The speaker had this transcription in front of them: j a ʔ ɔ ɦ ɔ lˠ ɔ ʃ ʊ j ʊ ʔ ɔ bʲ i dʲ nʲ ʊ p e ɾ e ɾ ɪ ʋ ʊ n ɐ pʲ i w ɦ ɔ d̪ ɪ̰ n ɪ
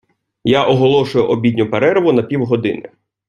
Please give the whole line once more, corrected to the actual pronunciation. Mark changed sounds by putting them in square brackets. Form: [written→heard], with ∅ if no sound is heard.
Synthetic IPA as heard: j a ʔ ɔ ɦ ɔ lˠ ɔ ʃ ʊ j ʊ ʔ ɔ bʲ i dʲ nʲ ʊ p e ɾ [e→ɛ] ɾ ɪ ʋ ʊ n ɐ pʲ i w ɦ ɔ d̪ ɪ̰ n ɪ